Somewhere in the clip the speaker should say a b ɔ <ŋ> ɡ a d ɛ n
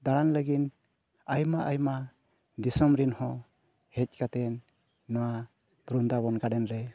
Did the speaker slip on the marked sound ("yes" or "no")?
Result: yes